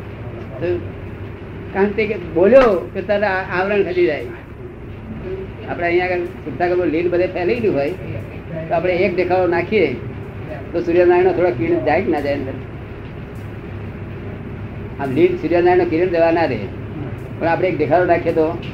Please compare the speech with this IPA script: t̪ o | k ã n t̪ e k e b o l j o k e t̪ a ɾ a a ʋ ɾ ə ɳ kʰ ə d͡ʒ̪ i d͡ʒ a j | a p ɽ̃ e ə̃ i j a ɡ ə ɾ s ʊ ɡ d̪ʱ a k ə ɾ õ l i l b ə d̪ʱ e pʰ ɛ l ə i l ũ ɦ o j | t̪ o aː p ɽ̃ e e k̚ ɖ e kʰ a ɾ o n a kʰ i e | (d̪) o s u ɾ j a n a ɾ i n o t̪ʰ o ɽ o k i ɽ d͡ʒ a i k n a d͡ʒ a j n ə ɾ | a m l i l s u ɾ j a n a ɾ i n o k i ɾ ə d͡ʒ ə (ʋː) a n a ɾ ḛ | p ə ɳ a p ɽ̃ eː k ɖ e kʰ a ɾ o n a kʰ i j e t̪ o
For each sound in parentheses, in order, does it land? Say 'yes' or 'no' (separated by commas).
no, no